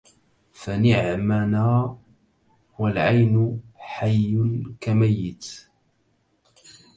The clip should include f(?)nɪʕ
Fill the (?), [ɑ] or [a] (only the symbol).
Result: a